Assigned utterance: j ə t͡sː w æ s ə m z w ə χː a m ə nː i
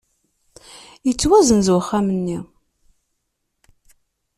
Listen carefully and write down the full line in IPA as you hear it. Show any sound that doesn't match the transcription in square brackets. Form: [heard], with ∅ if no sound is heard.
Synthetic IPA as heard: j ə t͡sː w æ [z] ə [n] z w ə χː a m ə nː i